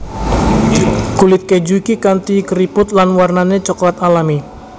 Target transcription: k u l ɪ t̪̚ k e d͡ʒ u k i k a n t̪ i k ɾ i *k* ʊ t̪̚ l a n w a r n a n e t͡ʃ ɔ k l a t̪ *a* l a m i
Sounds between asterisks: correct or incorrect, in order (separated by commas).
incorrect, correct